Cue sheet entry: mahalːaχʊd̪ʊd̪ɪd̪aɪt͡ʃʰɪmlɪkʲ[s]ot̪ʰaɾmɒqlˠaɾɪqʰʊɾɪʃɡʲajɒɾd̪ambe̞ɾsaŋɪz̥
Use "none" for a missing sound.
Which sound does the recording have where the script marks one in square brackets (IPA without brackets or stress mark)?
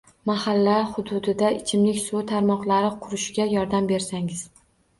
s